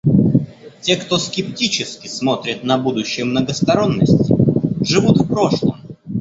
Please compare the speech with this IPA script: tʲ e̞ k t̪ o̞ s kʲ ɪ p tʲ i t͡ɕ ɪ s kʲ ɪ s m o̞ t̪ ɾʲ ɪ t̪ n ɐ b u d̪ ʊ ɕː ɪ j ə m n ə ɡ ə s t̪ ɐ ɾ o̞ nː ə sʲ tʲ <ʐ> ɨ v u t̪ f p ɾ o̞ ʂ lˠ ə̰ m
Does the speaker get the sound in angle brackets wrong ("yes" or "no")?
no